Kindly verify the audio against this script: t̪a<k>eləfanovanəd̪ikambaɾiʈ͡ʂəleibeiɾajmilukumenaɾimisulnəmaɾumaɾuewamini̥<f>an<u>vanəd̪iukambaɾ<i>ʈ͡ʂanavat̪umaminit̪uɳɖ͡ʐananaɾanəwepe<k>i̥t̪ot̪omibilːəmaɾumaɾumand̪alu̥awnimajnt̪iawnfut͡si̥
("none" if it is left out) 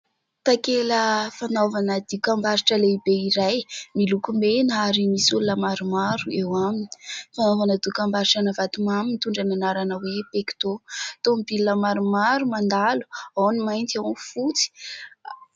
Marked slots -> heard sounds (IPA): k, f, o, i, k

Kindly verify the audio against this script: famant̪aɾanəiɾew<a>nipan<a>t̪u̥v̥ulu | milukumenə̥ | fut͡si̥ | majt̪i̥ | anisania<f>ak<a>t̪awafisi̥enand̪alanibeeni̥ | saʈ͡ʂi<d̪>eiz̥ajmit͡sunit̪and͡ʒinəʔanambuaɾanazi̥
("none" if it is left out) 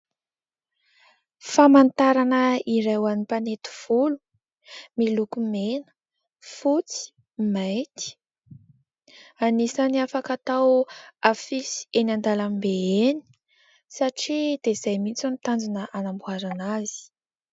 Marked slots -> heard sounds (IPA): a, e, f, a, d̪

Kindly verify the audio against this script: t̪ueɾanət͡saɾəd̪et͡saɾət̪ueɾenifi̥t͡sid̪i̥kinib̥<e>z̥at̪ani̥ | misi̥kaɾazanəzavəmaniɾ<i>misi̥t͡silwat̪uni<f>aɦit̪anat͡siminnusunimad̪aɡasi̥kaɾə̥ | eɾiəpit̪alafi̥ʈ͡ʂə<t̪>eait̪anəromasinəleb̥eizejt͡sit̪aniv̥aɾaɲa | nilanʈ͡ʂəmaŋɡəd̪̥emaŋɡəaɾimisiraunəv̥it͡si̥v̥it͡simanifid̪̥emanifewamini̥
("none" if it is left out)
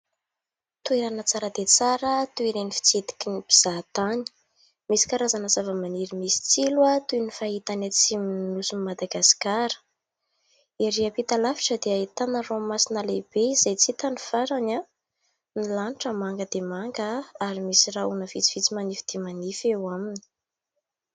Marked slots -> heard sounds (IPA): i, i, f, d̪

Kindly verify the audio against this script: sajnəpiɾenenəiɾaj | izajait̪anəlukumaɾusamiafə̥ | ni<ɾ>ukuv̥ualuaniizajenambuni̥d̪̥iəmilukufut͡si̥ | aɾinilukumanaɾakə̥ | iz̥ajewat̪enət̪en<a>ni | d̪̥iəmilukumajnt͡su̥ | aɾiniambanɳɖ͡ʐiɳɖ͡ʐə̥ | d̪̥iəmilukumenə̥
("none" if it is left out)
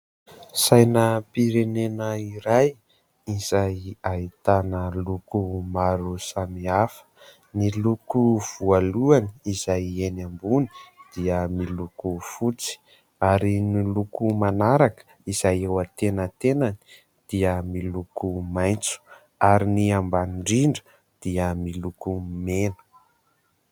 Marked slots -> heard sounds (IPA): l, a

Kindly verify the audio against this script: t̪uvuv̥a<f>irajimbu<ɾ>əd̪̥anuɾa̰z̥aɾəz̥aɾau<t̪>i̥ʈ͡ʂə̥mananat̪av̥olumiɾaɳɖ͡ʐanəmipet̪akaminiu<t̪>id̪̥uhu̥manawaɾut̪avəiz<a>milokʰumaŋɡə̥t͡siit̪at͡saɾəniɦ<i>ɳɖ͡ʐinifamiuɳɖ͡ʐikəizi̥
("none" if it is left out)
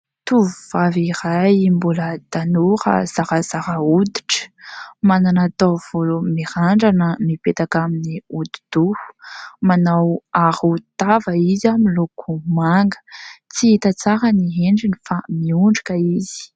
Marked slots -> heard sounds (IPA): v, l, d̪, d̪, a, e

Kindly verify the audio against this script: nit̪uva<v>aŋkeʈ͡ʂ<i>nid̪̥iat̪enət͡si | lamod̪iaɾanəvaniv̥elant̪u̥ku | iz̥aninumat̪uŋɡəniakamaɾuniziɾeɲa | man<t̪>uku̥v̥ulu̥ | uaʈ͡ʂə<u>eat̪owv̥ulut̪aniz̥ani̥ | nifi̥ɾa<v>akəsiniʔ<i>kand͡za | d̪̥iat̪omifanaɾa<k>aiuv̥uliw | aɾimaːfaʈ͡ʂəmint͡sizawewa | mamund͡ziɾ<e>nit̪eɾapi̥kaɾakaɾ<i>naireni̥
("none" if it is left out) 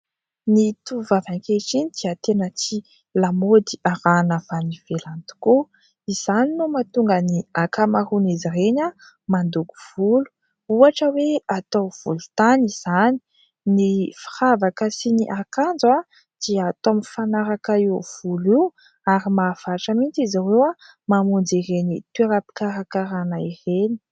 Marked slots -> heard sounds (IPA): v, i, d̪, w, v, a, k, e, a

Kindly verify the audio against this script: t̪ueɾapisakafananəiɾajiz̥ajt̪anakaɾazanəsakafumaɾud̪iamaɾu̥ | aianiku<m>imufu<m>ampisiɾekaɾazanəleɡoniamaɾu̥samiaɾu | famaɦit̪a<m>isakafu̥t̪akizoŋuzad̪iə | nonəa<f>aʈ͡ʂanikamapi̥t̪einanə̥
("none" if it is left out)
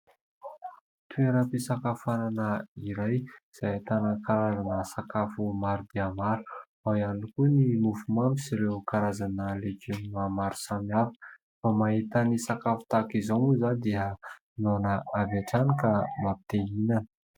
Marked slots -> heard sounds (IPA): n, m, n, v

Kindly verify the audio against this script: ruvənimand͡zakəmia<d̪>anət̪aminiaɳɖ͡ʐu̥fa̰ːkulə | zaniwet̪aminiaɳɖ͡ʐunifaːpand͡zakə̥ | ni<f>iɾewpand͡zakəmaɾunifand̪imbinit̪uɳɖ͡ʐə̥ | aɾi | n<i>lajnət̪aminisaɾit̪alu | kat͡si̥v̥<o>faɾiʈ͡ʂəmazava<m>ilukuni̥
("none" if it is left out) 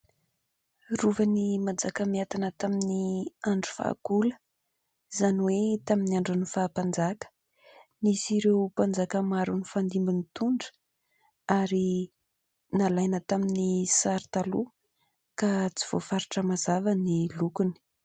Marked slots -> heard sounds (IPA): t̪, s, a, o, n

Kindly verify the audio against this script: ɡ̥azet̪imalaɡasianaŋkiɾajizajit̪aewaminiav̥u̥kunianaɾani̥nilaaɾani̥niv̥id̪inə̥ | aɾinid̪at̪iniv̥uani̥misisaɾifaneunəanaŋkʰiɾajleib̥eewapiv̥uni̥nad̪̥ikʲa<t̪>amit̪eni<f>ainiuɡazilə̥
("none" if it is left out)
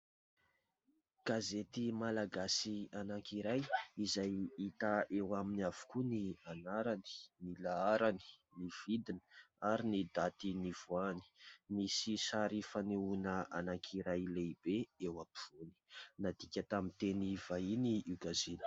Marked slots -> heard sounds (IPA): t̪, v

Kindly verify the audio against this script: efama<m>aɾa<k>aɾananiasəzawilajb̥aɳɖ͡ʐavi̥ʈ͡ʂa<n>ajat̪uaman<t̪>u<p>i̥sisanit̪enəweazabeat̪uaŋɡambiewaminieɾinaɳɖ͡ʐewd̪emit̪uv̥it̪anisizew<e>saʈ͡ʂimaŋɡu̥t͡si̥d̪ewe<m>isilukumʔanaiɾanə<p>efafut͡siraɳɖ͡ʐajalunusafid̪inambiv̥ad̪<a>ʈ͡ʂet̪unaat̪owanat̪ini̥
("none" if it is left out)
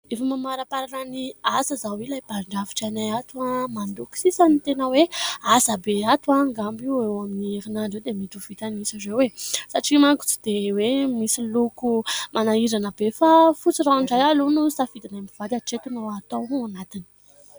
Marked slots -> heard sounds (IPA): m, p, n, d̪, k, e, m, b, a

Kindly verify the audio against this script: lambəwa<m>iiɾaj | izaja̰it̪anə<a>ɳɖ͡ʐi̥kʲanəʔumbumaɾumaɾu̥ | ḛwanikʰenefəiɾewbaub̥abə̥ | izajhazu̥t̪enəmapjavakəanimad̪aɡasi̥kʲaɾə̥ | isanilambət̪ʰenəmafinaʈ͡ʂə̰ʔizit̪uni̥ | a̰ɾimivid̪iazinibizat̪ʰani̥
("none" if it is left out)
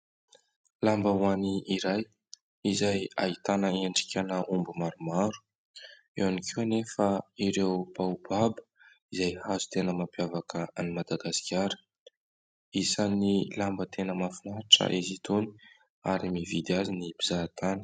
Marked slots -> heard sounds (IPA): n, e

